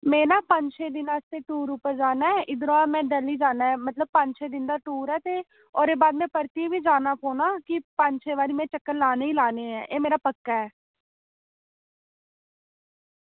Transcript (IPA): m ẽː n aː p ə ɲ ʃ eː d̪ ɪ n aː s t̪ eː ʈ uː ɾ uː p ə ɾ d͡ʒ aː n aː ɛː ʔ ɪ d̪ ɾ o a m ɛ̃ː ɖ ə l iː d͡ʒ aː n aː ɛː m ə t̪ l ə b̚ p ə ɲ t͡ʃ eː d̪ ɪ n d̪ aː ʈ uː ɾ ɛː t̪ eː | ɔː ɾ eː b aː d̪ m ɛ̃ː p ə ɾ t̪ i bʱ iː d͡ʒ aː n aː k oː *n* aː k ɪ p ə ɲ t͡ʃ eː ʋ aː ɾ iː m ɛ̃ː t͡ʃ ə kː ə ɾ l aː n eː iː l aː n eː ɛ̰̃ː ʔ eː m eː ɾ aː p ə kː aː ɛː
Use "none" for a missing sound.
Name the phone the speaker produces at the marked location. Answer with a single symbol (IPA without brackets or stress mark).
n